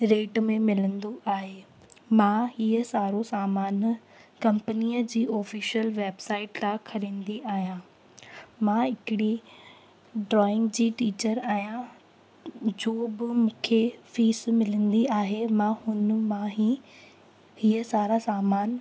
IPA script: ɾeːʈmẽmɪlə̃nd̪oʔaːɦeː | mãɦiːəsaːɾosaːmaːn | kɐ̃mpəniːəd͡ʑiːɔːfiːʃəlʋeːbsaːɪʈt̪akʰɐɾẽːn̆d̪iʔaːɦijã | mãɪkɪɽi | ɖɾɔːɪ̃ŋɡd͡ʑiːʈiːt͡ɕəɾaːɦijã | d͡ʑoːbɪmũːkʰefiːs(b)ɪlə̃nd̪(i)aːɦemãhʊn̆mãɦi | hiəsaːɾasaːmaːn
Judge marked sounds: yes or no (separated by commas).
no, yes